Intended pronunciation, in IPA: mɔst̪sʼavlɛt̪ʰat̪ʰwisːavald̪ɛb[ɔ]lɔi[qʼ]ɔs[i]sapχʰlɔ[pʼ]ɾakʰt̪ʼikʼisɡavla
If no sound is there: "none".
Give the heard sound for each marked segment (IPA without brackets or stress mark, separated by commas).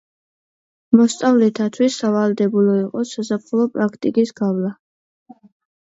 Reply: u, qʼ, a, pʼ